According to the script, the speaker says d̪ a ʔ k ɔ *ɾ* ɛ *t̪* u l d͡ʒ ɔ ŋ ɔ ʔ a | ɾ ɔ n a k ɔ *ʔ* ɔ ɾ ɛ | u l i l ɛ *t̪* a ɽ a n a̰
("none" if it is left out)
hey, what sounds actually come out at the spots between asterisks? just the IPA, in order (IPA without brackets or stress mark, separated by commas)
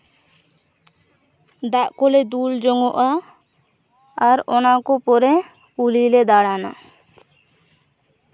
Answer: l, d̪, p, d̪